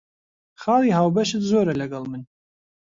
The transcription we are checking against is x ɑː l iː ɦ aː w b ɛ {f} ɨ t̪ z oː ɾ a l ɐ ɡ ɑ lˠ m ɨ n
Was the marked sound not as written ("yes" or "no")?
yes